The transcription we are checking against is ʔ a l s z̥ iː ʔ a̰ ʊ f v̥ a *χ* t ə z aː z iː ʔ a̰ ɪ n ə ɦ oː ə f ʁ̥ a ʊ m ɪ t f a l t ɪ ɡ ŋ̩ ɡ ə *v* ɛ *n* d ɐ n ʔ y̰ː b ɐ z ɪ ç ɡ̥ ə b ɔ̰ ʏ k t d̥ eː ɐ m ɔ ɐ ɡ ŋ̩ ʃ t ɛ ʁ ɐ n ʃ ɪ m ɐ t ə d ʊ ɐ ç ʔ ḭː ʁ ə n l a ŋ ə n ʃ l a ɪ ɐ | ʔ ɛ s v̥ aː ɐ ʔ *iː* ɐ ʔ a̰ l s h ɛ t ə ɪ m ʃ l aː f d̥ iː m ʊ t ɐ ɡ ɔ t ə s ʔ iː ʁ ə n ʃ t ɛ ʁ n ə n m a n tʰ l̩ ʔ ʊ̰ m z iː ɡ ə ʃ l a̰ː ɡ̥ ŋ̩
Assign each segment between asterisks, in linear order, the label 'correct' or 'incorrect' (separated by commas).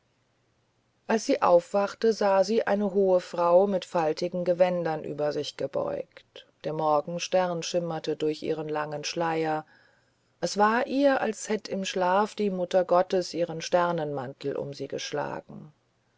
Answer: correct, correct, correct, correct